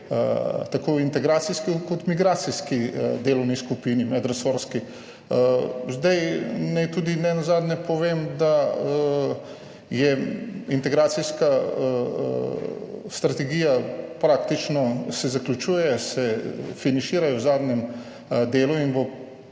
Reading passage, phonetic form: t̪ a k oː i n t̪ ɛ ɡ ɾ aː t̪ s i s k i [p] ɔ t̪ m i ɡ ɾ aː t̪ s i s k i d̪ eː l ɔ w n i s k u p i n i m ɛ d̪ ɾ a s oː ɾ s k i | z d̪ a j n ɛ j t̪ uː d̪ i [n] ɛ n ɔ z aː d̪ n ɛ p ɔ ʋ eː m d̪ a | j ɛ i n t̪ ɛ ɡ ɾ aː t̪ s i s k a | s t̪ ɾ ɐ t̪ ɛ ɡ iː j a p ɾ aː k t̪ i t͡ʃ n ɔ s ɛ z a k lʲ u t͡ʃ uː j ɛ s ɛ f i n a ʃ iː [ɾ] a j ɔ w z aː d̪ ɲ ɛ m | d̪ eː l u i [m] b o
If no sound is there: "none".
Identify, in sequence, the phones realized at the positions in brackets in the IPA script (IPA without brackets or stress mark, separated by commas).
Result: k, n, ɾ, n